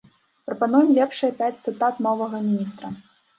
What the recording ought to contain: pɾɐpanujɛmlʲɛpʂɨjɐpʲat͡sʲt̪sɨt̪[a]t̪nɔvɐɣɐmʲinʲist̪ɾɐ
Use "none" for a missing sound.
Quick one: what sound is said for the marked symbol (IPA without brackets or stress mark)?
a